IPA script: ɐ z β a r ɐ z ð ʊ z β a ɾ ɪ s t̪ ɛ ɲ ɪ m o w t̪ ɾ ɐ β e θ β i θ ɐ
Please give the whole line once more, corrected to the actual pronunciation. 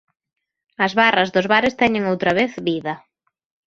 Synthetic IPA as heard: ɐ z β a r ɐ z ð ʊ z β a ɾ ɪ s t̪ ɛ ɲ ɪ ŋ o w t̪ ɾ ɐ β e θ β i ð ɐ